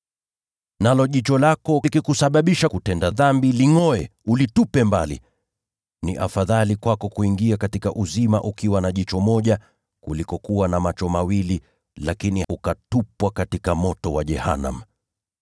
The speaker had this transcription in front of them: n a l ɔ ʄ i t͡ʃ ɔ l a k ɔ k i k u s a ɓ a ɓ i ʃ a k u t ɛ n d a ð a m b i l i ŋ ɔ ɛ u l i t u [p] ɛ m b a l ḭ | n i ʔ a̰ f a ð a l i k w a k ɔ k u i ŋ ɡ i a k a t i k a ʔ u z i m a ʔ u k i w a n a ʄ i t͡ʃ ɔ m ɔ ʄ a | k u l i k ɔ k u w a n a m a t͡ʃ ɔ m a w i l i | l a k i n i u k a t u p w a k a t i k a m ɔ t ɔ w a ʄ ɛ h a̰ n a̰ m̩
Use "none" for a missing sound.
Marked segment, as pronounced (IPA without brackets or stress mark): p